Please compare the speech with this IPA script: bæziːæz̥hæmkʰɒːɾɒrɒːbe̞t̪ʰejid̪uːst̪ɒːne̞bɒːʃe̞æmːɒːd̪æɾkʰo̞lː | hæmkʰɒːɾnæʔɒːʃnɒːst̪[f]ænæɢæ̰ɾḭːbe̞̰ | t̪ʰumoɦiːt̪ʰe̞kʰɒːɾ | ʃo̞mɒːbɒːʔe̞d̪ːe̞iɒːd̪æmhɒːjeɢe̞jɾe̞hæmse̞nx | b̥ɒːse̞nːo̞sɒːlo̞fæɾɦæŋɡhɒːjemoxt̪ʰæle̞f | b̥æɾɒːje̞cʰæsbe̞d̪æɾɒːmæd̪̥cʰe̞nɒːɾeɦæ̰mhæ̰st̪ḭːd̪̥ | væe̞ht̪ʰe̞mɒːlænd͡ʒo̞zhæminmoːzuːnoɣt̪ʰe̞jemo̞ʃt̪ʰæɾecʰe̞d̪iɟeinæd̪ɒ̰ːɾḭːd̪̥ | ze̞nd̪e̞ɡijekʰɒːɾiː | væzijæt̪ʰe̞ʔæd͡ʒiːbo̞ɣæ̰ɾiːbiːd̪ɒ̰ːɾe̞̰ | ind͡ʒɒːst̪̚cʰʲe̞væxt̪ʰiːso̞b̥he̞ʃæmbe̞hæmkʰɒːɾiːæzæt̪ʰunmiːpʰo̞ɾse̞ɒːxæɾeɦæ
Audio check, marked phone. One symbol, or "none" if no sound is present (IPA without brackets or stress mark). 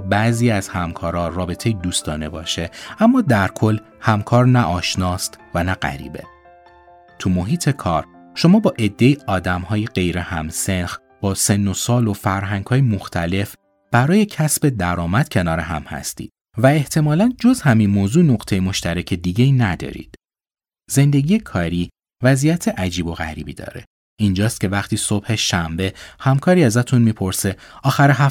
v